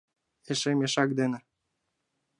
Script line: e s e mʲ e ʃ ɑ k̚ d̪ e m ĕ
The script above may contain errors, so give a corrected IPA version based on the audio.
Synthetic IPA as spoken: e ʃ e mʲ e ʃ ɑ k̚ d̪ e n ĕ